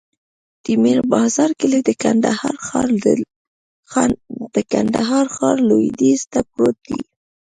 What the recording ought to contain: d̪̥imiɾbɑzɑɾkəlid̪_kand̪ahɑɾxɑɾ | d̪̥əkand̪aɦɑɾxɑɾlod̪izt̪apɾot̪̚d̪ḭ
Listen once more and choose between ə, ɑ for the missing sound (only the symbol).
ə